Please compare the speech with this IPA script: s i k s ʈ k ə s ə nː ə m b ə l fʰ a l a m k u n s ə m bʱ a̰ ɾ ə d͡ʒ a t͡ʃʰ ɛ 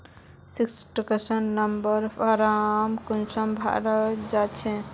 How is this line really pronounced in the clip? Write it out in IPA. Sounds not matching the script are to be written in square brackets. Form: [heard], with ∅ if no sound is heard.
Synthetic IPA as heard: s i k s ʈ k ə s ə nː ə m b ə [ɾ] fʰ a [ɾ] a m k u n s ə m bʱ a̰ ɾ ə d͡ʒ a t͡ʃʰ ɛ